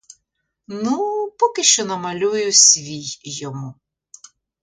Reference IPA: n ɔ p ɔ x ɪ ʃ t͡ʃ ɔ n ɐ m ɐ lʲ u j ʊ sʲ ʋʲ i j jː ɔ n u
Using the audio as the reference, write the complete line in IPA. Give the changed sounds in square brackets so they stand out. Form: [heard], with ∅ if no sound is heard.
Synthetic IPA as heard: n [u] p ɔ [k] ɪ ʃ t͡ʃ ɔ n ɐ m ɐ lʲ u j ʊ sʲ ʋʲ i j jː ɔ [m] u